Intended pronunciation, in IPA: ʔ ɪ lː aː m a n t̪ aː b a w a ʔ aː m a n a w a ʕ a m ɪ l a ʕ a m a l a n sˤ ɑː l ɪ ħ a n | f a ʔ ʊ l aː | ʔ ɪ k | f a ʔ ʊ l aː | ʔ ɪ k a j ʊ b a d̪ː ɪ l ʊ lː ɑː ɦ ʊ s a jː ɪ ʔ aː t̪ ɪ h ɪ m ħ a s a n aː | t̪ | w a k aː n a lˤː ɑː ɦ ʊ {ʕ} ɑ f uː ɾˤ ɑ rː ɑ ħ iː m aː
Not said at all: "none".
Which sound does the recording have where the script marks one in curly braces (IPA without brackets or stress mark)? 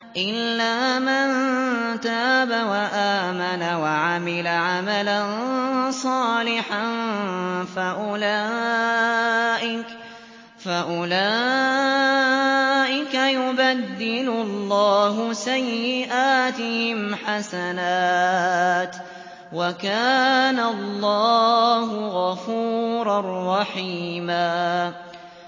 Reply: ɣ